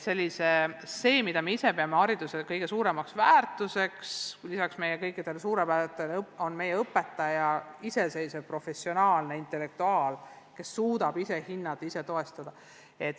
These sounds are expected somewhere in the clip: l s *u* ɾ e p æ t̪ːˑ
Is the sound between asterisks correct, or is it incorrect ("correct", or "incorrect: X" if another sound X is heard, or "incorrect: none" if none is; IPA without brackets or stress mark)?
incorrect: uː